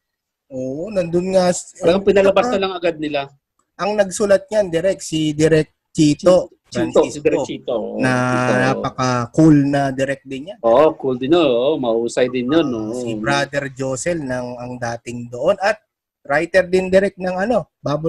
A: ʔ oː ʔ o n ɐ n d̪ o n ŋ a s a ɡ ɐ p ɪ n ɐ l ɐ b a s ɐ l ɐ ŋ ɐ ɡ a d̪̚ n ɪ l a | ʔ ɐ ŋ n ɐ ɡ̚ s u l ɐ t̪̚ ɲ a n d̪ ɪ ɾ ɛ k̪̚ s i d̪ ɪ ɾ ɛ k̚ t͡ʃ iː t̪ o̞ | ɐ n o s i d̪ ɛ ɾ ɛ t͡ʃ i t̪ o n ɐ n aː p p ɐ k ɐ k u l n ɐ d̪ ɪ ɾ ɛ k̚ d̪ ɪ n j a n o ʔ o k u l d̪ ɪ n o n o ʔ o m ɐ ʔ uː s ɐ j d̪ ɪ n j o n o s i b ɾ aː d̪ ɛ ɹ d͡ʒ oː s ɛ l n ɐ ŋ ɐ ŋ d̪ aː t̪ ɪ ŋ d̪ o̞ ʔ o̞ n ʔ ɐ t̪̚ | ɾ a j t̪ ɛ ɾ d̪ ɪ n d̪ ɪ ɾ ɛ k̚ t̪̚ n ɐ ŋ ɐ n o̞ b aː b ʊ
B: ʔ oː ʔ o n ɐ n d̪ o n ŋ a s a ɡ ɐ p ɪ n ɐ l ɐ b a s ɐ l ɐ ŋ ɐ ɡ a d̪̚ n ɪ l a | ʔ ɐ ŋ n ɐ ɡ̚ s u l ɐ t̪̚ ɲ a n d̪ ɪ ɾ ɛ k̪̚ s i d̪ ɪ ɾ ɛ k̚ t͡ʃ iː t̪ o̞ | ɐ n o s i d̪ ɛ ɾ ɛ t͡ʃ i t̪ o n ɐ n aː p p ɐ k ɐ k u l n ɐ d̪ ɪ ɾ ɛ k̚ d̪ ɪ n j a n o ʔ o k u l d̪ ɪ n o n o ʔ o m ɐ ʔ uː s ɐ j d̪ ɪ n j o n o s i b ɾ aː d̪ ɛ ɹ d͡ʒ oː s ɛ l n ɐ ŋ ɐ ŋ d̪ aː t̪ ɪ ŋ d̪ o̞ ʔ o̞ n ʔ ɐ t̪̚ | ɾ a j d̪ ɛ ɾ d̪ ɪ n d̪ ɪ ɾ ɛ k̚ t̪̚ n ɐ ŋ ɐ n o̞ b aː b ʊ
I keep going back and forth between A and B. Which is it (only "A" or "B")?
A